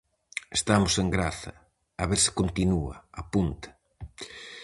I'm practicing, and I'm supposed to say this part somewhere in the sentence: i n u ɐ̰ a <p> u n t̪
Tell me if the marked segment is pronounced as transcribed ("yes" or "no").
yes